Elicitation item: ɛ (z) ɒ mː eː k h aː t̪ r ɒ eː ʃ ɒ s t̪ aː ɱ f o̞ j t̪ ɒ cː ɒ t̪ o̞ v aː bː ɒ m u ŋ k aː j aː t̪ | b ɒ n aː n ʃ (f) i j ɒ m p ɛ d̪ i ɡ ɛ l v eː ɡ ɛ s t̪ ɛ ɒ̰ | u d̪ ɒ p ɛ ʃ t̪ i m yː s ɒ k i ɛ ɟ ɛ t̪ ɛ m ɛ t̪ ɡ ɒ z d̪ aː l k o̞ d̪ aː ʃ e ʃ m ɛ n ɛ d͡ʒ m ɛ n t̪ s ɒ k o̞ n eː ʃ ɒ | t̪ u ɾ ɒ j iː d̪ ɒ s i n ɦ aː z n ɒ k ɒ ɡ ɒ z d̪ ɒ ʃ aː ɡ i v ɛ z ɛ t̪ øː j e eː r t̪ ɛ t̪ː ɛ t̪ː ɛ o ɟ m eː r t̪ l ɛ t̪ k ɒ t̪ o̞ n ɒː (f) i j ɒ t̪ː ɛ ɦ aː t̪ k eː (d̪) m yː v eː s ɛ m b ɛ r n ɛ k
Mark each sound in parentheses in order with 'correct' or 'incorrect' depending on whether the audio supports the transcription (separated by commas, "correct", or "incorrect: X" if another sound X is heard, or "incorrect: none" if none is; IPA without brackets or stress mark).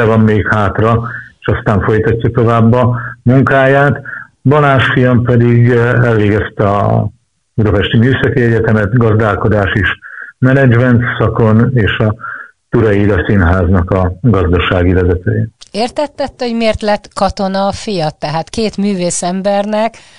incorrect: v, correct, correct, incorrect: t̪